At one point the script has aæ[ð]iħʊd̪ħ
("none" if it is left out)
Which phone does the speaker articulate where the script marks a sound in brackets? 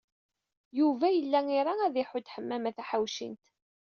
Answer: ð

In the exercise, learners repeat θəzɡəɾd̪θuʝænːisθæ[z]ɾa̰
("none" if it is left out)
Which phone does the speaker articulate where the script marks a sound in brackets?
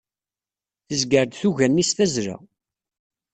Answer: z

